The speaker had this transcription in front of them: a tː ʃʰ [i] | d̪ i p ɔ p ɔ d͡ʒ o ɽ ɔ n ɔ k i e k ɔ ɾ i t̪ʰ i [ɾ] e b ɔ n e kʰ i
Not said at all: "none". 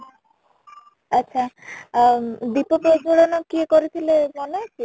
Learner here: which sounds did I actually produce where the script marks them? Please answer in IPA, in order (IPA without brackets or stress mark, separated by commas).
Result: a, l